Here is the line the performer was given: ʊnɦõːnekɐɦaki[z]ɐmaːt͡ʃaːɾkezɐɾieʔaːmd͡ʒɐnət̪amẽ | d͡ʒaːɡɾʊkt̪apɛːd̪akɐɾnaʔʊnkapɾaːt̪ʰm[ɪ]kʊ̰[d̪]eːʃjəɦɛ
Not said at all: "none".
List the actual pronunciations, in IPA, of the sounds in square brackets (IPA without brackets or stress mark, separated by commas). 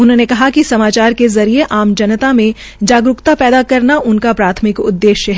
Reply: s, ɪ, d̪ː